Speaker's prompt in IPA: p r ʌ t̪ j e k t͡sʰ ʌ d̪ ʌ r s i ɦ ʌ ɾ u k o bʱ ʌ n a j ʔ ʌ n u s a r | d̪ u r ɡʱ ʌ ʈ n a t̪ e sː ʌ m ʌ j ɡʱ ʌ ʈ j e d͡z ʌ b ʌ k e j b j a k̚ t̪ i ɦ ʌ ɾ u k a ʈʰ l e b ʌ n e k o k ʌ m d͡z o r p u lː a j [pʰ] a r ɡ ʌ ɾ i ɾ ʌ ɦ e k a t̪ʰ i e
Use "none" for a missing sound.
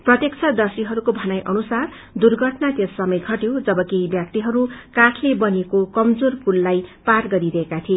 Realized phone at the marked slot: p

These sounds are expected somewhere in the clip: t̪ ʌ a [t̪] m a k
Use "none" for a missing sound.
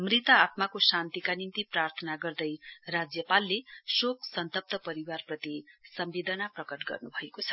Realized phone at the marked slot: t̪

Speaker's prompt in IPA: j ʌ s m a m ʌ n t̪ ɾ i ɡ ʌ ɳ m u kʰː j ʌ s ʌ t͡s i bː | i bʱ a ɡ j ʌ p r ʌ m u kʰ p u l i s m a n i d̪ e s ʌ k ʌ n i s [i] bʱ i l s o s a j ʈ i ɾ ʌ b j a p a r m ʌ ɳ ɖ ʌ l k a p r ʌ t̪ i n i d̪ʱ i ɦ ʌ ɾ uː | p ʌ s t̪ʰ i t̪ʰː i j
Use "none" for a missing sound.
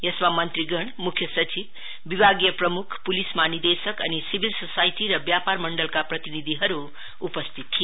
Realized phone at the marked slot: i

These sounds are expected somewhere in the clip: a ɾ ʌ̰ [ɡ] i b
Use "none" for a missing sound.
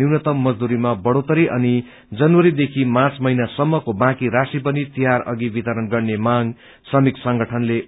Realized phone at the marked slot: ɡ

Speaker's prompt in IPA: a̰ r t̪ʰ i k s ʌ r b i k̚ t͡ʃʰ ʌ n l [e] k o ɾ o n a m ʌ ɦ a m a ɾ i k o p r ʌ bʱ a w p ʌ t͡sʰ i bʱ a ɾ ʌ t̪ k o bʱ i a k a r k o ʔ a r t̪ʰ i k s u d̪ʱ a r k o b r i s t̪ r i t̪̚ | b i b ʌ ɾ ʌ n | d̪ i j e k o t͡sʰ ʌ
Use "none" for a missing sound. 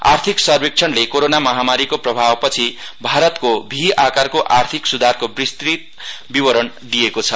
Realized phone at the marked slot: e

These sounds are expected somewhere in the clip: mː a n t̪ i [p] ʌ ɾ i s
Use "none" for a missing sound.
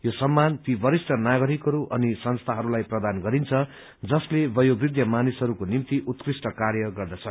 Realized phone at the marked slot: b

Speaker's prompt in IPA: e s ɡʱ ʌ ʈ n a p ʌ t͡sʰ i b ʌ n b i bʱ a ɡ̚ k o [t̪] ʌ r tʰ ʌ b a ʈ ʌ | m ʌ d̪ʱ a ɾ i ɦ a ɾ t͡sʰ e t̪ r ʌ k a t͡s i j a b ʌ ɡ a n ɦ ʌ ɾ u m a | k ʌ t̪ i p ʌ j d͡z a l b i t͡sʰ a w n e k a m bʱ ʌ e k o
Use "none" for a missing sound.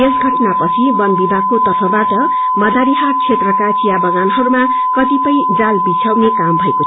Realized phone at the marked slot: t̪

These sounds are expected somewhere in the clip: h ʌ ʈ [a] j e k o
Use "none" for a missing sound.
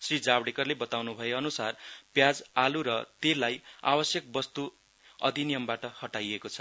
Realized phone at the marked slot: a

